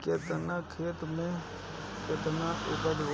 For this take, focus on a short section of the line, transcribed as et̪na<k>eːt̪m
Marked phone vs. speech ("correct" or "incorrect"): incorrect